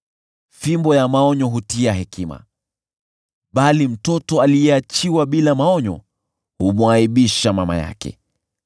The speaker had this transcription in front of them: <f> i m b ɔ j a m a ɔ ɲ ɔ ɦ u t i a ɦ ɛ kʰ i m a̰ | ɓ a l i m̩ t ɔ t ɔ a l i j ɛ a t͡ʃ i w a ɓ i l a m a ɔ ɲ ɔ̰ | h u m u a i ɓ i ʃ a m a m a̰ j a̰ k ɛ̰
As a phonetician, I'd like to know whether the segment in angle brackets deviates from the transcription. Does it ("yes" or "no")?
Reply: no